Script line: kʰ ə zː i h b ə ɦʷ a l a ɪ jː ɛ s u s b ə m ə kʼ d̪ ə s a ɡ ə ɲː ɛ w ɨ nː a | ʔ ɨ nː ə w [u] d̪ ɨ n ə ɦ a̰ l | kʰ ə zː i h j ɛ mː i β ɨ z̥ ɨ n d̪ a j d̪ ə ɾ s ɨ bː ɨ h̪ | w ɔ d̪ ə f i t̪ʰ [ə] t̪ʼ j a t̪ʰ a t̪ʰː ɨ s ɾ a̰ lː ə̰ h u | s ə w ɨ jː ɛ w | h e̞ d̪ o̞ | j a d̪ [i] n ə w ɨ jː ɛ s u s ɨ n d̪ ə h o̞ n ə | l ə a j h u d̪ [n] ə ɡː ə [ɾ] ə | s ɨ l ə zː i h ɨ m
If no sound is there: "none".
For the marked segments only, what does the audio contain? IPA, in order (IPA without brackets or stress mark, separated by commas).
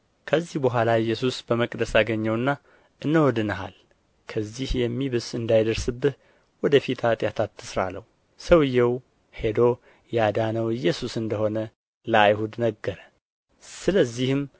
ɔ, a, a, n, ɾ